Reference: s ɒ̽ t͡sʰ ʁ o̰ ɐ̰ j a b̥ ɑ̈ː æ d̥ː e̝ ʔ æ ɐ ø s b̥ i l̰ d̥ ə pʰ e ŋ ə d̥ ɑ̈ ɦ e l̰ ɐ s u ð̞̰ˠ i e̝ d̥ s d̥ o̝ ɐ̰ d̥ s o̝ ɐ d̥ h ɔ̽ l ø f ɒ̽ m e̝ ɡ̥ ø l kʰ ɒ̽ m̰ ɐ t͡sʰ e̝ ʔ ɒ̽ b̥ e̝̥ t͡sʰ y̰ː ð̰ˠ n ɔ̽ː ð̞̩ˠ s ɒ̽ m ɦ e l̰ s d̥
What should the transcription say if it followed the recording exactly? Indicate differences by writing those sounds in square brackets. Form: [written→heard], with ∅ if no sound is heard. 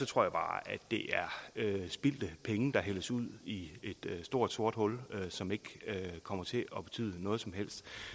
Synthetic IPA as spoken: s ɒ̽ t͡sʰ ʁ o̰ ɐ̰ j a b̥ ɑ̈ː æ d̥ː e̝ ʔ æ ɐ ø s b̥ i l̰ d̥ ə pʰ e ŋ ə d̥ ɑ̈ ɦ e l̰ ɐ s u ð̞̰ˠ i e̝ d̥ s d̥ o̝ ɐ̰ d̥ s o̝ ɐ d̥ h ɔ̽ l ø [f→s] ɒ̽ m e̝ ɡ̥ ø [l→∅] kʰ ɒ̽ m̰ ɐ t͡sʰ e̝ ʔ ɒ̽ b̥ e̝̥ t͡sʰ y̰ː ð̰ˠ n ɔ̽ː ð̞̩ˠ s ɒ̽ m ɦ e l̰ s d̥